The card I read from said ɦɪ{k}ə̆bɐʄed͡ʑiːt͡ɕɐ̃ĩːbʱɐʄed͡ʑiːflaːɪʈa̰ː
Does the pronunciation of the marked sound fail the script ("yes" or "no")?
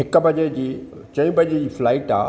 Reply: no